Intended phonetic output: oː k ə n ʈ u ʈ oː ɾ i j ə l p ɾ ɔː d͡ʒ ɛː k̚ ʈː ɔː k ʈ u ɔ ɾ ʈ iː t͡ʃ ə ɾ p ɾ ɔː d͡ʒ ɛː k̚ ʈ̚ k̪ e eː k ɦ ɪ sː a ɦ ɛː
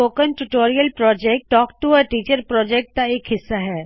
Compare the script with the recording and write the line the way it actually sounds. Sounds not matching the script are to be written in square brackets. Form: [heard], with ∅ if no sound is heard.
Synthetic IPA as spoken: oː k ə n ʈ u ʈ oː ɾ i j ə l p ɾ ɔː d͡ʒ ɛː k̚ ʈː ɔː k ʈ u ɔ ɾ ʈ iː t͡ʃ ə ɾ p ɾ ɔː d͡ʒ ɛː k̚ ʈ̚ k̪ [a] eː k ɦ ɪ sː a ɦ ɛː